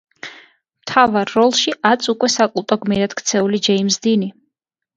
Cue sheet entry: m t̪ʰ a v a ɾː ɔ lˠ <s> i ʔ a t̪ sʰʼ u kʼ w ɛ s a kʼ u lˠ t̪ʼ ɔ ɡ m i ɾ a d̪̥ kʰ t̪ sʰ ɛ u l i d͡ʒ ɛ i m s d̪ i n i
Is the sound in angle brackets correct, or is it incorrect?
incorrect